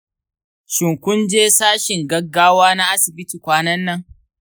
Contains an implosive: no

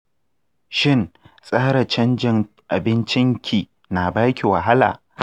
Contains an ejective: yes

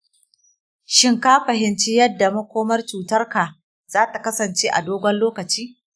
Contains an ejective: no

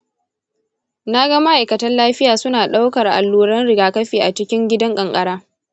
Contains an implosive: yes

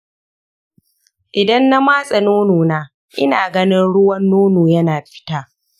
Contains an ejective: yes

